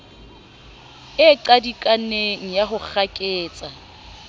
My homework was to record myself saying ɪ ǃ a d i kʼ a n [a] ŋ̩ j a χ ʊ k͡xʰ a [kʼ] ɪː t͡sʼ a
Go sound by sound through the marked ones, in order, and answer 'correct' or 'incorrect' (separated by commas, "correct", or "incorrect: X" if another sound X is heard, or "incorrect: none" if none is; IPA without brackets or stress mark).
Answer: incorrect: e, correct